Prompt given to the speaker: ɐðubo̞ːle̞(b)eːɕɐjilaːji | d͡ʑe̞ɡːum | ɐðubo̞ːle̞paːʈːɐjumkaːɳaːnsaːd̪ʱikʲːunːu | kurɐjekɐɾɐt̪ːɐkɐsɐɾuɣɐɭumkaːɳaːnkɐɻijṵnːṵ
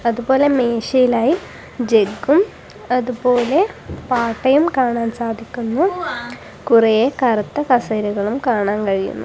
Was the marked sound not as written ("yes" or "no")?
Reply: yes